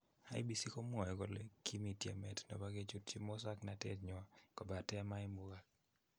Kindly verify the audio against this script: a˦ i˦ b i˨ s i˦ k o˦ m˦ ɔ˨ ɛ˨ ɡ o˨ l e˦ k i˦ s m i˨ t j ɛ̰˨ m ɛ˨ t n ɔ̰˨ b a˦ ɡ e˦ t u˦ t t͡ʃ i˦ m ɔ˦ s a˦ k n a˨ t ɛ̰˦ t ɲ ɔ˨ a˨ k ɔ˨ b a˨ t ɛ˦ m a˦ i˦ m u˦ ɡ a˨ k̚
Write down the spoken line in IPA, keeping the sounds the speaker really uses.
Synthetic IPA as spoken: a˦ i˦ b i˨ s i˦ k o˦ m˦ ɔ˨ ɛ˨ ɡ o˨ l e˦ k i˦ m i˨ t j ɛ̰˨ m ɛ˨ t n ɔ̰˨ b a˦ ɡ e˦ t͡ʃ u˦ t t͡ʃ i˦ m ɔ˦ s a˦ k n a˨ t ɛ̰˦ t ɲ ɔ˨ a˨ k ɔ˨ b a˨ t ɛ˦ m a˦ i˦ m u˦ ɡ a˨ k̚